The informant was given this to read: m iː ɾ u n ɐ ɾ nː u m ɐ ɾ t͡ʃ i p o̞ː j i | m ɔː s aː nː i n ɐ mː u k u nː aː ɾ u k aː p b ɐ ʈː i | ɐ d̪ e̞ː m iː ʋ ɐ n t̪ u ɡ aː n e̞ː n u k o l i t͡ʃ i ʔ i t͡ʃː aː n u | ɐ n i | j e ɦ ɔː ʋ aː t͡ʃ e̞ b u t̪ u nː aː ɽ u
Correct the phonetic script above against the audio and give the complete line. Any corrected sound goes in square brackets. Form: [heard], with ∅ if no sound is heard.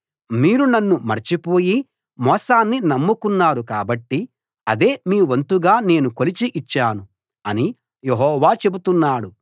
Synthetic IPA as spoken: m iː ɾ u n ɐ [∅] nː u m ɐ ɾ t͡ʃ i p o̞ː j i | m ɔː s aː nː i n ɐ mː u k u nː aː ɾ u k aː [∅] b ɐ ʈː i | ɐ d̪ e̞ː m iː ʋ ɐ n t̪ u ɡ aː n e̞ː n u k o l i t͡ʃ i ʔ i t͡ʃː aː n u | ɐ n i | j e ɦ ɔː ʋ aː t͡ʃ e̞ b u t̪ u nː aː ɽ u